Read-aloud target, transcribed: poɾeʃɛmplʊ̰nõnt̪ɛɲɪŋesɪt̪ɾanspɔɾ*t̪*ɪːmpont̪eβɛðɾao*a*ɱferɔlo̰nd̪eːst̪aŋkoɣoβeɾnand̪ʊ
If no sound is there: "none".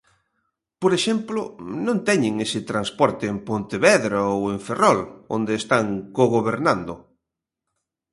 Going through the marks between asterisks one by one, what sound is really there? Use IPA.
t̪, e

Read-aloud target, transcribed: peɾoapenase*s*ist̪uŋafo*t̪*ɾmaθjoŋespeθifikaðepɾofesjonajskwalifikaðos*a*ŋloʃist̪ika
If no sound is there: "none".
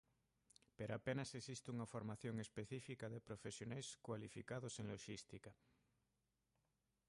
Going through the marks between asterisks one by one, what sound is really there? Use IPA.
s, none, e

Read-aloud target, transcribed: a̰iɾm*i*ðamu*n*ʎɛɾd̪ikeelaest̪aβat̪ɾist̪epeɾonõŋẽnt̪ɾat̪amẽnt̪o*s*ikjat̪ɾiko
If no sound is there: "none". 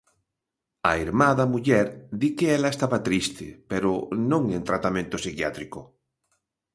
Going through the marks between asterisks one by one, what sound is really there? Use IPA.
a, none, s

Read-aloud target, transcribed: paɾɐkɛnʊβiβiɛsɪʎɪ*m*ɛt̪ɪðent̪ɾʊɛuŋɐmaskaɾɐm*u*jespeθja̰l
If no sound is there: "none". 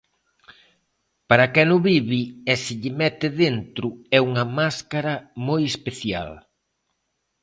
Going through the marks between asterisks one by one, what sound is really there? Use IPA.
m, o

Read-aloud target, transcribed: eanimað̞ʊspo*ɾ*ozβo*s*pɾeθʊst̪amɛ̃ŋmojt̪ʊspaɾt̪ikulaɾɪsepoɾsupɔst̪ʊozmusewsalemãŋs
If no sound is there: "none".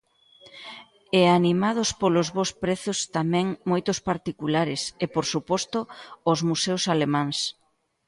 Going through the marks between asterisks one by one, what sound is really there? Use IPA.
l, s

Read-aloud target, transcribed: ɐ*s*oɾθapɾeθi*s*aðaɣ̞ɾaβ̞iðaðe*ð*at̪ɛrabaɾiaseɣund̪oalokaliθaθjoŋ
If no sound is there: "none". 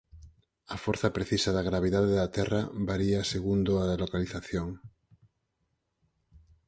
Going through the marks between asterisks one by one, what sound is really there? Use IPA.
f, s, ð

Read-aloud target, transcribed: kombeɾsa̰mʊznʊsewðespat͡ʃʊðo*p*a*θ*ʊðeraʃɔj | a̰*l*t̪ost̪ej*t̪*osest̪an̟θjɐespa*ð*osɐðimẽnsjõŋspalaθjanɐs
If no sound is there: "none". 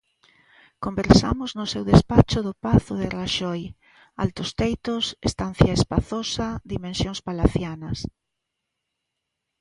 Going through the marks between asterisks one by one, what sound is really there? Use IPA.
p, θ, l, t̪, θ

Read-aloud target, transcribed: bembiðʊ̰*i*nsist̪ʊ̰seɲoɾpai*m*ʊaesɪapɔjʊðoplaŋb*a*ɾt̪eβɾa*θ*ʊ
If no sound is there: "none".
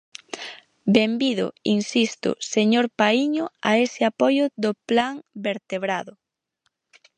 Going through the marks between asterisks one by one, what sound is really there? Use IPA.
i, ɲ, e, ð

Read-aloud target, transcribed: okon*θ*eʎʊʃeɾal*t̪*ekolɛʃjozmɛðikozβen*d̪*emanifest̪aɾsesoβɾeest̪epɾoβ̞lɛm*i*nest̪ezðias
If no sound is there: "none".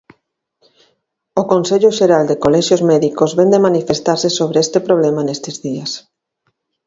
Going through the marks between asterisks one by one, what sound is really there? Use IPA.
s, d̪, d̪, a

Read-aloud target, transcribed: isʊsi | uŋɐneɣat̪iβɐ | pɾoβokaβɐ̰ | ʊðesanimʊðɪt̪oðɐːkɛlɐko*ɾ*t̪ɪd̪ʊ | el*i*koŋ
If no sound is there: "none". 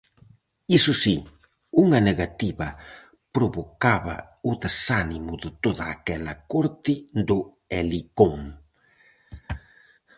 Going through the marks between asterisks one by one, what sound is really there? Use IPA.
ɾ, i

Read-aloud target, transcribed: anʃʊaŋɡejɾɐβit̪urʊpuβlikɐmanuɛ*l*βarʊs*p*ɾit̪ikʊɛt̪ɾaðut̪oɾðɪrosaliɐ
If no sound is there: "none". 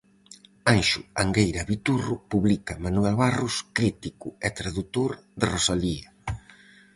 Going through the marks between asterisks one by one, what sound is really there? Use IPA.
l, k

